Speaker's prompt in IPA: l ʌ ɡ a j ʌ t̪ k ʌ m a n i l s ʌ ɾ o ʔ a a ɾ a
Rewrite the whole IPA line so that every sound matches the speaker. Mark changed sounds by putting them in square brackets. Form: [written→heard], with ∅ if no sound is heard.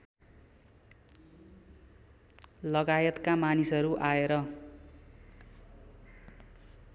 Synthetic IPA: l ʌ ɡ a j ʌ t̪ k [ʌ→a] m a n i [l→∅] s ʌ ɾ [o→u] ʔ a [a→e] ɾ [a→ʌ]